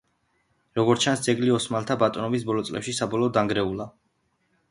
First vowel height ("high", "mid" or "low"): mid